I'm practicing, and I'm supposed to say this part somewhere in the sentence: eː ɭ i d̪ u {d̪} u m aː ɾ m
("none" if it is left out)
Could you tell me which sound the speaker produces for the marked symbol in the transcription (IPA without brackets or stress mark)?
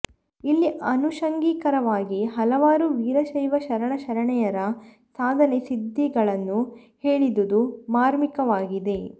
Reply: d̪